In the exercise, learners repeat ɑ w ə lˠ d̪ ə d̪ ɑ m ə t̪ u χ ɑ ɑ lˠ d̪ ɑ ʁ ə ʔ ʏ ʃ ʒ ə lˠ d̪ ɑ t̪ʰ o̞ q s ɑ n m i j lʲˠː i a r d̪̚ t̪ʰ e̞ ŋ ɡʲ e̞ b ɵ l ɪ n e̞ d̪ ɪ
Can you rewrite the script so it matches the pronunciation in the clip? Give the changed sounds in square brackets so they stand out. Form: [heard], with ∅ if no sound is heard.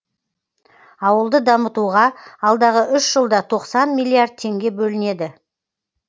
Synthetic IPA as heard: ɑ w ə lˠ d̪ ə d̪ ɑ m ə t̪ u [ʁ] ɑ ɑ lˠ d̪ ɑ ʁ ə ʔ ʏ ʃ ʒ ə lˠ d̪ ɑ t̪ʰ o̞ q s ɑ n m i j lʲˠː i a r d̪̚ t̪ʰ e̞ ŋ ɡʲ e̞ b ɵ l ɪ n e̞ d̪ ɪ